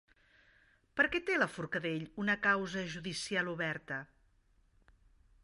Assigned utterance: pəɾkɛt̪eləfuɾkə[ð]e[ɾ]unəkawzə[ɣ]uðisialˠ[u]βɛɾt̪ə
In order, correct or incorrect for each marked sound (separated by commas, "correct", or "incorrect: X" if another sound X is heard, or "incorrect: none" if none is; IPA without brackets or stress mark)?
correct, incorrect: ʎ, incorrect: ʒ, correct